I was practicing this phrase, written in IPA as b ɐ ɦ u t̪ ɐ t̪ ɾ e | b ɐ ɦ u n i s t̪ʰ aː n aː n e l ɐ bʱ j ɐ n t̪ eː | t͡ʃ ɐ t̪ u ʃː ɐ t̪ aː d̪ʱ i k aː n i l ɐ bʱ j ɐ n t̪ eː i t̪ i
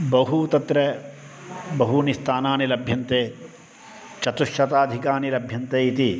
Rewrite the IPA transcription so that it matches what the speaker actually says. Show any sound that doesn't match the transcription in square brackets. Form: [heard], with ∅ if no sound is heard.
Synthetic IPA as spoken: b ɐ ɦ u t̪ ɐ t̪ ɾ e | b ɐ ɦ u n i s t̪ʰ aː n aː n [i] l ɐ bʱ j ɐ n t̪ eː | t͡ʃ ɐ t̪ u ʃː ɐ t̪ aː d̪ʱ i k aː n i l ɐ bʱ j ɐ n t̪ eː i t̪ i

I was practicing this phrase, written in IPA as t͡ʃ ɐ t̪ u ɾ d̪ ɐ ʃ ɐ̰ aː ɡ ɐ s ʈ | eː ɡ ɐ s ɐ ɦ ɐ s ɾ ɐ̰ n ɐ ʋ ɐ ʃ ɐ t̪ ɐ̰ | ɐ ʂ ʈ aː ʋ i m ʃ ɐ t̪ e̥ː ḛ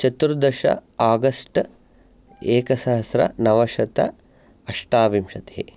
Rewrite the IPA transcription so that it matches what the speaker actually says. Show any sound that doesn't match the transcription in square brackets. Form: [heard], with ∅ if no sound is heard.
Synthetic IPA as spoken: t͡ʃ ɐ t̪ u ɾ d̪ ɐ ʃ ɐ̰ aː ɡ ɐ s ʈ | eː [k] ɐ s ɐ ɦ ɐ s ɾ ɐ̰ n ɐ ʋ ɐ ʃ ɐ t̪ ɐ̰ | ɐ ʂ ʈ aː ʋ i m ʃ ɐ t̪ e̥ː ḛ

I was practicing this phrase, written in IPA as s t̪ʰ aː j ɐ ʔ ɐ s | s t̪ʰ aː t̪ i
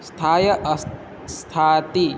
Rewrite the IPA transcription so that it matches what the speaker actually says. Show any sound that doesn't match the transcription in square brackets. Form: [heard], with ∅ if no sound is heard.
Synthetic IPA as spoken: s t̪ʰ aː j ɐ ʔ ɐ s | s t̪ʰ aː t̪ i

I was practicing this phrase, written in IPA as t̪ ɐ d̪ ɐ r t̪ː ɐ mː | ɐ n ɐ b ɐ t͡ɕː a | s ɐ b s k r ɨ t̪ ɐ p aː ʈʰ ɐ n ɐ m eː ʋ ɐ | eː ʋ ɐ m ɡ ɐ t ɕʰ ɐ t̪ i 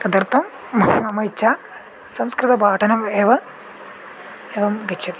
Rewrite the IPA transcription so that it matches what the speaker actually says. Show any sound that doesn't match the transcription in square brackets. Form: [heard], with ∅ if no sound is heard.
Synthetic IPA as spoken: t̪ ɐ d̪ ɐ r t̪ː ɐ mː | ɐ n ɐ [m] ɐ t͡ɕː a | s ɐ [m] s k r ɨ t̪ ɐ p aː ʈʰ ɐ n ɐ m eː ʋ ɐ | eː ʋ ɐ m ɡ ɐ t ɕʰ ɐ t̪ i

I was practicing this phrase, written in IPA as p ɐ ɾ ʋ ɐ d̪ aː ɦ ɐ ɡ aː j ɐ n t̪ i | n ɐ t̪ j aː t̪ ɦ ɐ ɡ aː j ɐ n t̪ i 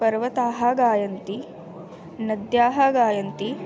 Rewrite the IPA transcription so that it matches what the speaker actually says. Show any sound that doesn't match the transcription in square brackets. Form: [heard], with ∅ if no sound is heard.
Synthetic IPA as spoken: p ɐ ɾ ʋ ɐ [t̪] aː ɦ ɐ ɡ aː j ɐ n t̪ i | n ɐ [d̪] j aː [∅] ɦ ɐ ɡ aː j ɐ n t̪ i

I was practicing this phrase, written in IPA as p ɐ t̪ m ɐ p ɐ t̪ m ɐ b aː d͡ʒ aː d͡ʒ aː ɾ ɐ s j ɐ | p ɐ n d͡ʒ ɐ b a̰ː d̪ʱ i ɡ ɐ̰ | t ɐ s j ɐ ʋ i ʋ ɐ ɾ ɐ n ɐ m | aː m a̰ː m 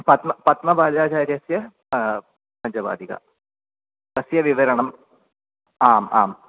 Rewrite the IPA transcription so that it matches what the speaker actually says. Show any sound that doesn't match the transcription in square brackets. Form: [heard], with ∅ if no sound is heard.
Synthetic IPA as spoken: p ɐ t̪ m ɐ p ɐ t̪ m ɐ b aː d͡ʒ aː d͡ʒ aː ɾ ɐ s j ɐ | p ɐ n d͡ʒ ɐ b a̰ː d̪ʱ i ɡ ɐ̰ | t ɐ s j ɐ ʋ i ʋ ɐ ɾ ɐ [ɳ] ɐ m | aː m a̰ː m

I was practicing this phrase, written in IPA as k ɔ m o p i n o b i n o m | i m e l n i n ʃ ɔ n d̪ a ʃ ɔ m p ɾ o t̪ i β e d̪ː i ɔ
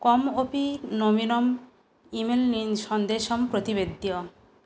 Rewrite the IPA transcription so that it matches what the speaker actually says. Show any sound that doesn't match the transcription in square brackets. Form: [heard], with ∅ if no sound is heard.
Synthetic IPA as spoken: k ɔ m o p i n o [m] i n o m | i m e l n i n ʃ ɔ n d̪ [e] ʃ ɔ m p ɾ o t̪ i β e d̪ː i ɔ

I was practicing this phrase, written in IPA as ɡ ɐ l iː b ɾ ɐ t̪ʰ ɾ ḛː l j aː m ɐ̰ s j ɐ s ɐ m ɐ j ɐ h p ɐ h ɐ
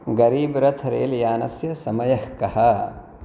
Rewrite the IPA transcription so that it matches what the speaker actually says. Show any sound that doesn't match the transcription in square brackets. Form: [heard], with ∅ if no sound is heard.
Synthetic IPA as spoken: ɡ ɐ [ɾ] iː b ɾ ɐ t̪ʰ ɾ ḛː l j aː [n] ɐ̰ s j ɐ s ɐ m ɐ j ɐ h [k] ɐ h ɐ

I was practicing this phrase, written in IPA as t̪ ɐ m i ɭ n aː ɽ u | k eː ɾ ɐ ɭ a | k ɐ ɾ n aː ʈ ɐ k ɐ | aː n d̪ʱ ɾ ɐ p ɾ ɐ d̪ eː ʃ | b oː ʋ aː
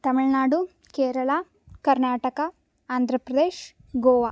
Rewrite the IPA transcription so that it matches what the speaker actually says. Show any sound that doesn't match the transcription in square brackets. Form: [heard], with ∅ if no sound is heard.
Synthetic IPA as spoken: t̪ ɐ m i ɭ n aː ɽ u | k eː ɾ ɐ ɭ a | k ɐ ɾ n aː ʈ ɐ k ɐ | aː n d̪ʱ ɾ ɐ p ɾ ɐ d̪ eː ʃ | [ɡ] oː ʋ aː

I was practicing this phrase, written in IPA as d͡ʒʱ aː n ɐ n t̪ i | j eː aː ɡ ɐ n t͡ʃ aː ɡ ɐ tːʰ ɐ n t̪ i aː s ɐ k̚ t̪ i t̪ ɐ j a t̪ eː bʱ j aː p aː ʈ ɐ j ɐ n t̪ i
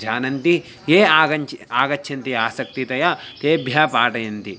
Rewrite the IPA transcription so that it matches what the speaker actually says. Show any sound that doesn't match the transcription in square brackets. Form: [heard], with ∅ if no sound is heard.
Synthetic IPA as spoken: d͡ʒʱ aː n ɐ n t̪ i | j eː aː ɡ ɐ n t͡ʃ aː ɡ ɐ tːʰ ɐ n t̪ i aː s ɐ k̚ t̪ i t̪ ɐ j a t̪ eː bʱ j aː p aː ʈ ɐ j ɐ n t̪ i

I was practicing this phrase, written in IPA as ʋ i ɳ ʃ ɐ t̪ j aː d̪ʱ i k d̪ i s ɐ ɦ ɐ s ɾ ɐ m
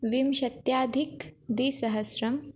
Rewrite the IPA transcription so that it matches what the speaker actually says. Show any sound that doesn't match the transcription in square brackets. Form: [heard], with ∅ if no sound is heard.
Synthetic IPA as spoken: ʋ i [m] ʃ ɐ t̪ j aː d̪ʱ i k d̪ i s ɐ ɦ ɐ s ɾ ɐ m

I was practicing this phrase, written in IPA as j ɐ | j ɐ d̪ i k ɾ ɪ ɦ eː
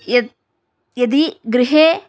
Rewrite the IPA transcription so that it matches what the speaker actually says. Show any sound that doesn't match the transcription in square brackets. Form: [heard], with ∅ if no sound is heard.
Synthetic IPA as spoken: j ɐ | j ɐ d̪ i [ɡ] ɾ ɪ ɦ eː

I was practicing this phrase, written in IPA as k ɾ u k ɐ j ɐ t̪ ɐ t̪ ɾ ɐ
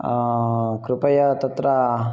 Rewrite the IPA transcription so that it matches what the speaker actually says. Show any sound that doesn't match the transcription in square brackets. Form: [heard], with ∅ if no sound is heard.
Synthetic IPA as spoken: k ɾ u [p] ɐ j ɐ t̪ ɐ t̪ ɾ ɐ

